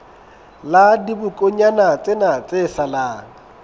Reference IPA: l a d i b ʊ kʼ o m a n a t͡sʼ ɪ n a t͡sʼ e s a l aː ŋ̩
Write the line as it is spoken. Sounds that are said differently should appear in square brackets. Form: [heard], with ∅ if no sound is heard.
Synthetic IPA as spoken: l a d i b ʊ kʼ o [ɲ] a n a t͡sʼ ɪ n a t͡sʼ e s a l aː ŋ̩